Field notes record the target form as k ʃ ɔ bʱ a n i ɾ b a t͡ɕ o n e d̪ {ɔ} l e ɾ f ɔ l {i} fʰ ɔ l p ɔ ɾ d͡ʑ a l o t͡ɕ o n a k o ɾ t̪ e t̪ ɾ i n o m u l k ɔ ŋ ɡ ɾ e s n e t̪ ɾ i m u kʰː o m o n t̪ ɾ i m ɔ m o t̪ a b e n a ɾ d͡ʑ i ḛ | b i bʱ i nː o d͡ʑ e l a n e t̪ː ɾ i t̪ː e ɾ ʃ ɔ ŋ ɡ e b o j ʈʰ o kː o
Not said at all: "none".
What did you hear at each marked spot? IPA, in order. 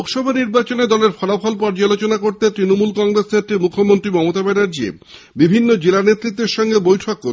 ɔ, a

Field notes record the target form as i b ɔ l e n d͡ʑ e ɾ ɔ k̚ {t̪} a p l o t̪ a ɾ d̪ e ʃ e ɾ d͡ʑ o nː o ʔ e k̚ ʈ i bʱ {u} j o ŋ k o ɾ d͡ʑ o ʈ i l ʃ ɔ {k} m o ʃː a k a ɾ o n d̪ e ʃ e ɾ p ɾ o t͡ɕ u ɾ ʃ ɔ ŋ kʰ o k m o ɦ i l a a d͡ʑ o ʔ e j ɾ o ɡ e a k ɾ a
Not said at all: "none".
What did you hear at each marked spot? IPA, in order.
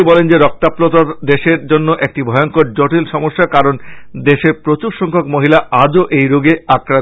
t̪, ɔ, none

